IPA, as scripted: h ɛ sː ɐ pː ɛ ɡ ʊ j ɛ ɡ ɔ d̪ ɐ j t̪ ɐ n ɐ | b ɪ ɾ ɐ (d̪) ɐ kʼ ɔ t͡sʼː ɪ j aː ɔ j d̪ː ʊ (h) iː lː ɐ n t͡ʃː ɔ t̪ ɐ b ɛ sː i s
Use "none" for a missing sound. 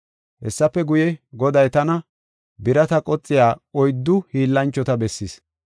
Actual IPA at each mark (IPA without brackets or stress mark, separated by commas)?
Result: t̪, h